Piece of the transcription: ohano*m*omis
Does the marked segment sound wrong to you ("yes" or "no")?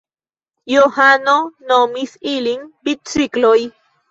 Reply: yes